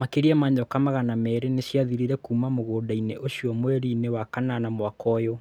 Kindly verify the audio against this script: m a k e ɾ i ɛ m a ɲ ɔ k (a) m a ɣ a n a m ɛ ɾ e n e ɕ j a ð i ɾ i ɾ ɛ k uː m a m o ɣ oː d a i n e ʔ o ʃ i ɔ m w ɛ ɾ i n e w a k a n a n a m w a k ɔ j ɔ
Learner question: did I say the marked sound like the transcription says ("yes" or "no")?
yes